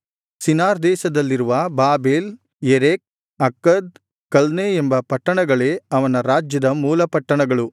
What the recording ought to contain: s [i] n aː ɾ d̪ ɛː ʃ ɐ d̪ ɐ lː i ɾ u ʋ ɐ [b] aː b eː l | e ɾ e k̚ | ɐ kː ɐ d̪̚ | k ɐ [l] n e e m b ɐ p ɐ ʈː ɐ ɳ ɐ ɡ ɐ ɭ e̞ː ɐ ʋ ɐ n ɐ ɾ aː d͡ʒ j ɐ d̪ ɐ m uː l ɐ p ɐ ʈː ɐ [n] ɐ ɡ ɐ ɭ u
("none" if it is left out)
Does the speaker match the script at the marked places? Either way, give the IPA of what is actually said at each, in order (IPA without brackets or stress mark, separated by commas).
i, b, l, ɳ